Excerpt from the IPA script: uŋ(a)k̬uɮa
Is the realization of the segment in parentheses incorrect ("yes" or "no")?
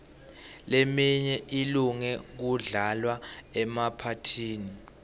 yes